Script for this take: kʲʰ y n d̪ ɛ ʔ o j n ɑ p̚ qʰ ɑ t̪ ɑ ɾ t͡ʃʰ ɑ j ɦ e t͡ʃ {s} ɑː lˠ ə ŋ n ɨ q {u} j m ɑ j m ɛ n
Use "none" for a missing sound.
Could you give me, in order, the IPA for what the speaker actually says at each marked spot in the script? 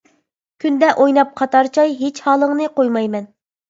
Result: h, o

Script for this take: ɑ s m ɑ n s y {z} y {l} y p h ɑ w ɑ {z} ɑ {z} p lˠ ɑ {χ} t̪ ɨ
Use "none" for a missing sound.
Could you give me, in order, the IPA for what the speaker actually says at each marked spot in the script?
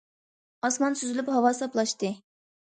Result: z, l, s, none, ʃ

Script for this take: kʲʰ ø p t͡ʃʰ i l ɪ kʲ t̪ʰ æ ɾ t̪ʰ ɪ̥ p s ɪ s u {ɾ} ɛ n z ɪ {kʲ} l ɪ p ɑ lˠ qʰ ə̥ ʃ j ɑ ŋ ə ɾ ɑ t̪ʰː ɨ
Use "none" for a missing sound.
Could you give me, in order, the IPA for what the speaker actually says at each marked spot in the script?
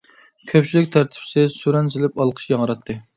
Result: ɾ, none

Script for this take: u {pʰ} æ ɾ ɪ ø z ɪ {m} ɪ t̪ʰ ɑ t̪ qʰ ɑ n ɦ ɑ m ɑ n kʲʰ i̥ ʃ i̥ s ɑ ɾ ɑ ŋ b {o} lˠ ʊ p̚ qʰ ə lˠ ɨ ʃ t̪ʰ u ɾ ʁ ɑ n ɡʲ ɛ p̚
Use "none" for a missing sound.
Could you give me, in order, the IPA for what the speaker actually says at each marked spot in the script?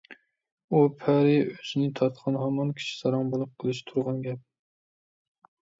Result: pʰ, n, o

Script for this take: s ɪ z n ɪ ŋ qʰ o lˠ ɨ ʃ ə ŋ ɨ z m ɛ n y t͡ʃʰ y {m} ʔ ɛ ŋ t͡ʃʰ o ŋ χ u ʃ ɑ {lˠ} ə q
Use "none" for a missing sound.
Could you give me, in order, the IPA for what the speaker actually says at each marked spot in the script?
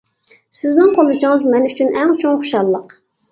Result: n, lˠː

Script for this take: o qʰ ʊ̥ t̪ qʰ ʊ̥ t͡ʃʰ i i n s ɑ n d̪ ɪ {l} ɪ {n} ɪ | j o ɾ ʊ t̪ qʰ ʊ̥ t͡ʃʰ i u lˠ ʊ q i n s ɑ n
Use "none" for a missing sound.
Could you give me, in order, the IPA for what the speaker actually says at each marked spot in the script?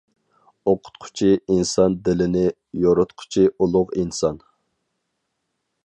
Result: l, n

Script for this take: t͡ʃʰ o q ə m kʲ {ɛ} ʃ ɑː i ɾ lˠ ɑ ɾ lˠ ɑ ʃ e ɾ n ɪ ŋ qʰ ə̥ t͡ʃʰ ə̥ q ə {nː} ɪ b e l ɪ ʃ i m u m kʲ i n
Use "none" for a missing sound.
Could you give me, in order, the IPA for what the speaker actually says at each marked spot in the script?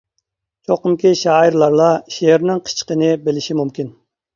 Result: i, n

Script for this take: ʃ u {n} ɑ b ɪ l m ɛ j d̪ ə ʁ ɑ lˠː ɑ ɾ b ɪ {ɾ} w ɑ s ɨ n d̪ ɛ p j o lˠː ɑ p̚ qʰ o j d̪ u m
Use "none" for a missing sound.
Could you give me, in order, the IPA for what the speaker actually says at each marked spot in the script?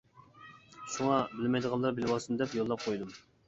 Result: ŋ, l

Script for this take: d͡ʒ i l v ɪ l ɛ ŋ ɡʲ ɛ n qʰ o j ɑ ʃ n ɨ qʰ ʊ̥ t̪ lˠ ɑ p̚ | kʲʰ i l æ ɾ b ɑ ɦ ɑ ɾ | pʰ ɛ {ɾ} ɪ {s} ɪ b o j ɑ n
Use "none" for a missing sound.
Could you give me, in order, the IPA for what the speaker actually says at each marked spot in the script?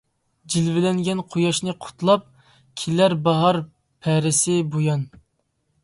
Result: ɾ, s

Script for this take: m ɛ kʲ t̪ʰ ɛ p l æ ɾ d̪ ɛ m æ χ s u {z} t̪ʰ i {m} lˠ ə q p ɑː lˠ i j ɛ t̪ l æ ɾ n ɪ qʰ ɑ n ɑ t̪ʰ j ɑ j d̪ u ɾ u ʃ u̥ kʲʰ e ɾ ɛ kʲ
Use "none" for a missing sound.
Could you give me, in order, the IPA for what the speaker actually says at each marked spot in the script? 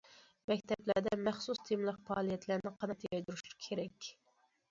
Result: s, m

